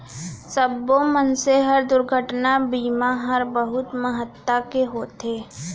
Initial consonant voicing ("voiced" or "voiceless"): voiceless